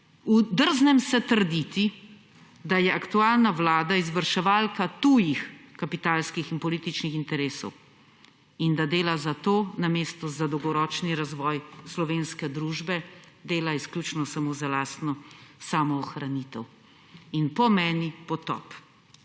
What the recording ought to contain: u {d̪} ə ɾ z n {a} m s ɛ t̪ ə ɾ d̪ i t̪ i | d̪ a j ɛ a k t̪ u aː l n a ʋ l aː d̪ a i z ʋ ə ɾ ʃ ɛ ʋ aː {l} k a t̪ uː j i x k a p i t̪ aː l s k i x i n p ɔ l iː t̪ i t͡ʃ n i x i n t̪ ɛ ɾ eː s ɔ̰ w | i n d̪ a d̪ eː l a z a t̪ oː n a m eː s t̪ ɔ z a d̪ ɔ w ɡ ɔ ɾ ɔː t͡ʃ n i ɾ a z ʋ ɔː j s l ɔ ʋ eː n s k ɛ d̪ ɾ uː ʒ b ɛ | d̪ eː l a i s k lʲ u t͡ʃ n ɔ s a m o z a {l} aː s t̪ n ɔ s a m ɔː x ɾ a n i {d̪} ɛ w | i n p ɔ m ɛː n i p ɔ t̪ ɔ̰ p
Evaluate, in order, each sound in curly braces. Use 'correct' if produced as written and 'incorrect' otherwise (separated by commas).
correct, incorrect, correct, correct, incorrect